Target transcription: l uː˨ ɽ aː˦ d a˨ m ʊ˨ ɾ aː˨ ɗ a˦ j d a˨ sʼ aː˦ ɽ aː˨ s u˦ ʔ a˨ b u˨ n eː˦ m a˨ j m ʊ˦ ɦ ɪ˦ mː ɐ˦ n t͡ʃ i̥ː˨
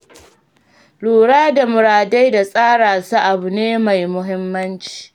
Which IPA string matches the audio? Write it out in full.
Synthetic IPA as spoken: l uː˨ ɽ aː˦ d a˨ m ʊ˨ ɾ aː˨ d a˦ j d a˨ sʼ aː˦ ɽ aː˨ s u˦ ʔ a˨ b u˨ n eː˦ m a˨ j m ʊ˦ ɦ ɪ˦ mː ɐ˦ n t͡ʃ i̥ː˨